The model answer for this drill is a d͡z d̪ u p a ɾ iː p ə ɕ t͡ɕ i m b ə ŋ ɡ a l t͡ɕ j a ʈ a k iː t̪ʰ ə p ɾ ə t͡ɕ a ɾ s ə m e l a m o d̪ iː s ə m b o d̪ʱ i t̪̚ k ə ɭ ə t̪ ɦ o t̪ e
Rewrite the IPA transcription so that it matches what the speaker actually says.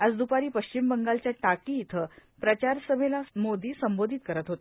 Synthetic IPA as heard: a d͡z d̪ u p a ɾ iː p ə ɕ t͡ɕ i m b ə ŋ ɡ a l t͡ɕ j a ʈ a k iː t̪ʰ ə p ɾ ə t͡ɕ a ɾ s ə m e l a m o d̪ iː s ə m b o d̪ʱ i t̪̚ k ə ɾ ə t̪ ɦ o t̪ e